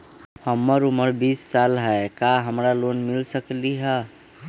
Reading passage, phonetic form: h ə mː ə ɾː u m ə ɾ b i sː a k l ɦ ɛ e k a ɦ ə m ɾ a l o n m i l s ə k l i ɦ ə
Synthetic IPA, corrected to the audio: h ə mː ə ɾ u m ə ɾ b i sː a l ɦ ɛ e k a ɦ ə m ɾ a l o n m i l s ə k l i ɦ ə